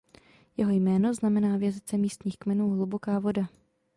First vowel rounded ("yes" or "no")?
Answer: no